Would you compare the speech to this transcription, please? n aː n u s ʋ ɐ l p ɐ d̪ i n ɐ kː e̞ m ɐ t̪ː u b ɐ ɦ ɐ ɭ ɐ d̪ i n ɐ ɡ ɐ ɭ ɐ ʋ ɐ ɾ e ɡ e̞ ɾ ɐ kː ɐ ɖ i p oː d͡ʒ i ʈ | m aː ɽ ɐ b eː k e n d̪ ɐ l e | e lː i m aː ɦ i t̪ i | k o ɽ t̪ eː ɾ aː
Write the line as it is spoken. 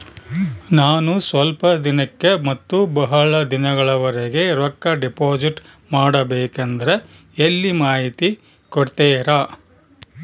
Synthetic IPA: n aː n u s ʋ ɐ l p ɐ d̪ i n ɐ kː e̞ m ɐ t̪ː u b ɐ ɦ ɐ ɭ ɐ d̪ i n ɐ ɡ ɐ ɭ ɐ ʋ ɐ ɾ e ɡ e̞ ɾ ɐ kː ɐ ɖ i p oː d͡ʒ i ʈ | m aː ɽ ɐ b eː k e n d̪ ɐ ɾ e | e lː i m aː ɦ i t̪ i | k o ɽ t̪ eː ɾ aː